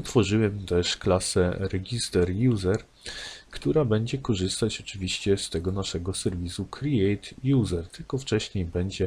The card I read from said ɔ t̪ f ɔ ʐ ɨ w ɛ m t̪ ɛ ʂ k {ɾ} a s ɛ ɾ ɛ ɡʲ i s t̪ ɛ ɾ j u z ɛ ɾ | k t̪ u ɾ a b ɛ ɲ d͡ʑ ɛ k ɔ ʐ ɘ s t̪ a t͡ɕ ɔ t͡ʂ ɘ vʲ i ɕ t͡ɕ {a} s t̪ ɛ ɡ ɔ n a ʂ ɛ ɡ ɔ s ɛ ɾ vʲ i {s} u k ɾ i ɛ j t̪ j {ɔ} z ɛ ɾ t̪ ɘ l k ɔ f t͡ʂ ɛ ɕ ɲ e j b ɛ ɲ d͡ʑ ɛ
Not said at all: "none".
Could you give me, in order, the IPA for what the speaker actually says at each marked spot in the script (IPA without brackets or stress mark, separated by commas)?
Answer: l, ɛ, s, u